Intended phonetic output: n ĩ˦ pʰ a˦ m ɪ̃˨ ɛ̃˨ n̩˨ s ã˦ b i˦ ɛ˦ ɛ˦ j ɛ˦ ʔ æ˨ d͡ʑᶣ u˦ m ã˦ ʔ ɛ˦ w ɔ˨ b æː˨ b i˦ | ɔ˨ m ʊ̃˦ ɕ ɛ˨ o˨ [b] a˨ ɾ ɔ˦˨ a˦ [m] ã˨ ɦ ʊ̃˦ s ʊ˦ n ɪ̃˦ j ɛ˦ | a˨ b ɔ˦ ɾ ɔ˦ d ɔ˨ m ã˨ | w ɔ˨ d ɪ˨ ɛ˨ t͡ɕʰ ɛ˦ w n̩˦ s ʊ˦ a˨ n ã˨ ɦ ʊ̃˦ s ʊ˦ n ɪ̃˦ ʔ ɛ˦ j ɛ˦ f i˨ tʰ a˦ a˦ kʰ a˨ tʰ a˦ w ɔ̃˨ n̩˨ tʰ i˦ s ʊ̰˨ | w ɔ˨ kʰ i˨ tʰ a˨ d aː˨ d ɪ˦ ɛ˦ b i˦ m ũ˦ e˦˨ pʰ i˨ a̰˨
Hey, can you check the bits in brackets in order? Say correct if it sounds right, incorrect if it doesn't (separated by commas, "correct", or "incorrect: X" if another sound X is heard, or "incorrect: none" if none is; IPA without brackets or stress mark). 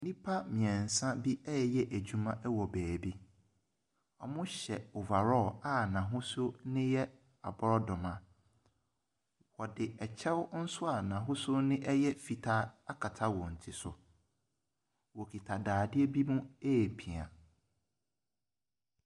incorrect: v, incorrect: n